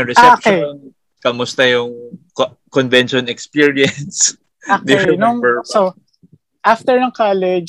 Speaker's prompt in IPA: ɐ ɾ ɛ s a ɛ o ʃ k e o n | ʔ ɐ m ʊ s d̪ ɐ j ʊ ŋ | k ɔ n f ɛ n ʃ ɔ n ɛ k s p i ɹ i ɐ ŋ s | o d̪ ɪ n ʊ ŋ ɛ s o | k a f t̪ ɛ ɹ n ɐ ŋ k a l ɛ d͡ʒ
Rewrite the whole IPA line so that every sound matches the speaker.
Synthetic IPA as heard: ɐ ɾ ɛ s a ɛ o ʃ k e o n | k ɐ m ʊ s t̪ ɐ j ʊ ŋ | k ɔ n v ɛ n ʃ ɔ n ɛ k s p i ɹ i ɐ n s | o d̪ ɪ n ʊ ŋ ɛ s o | ʔ a f t̪ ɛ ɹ n ɐ ŋ k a l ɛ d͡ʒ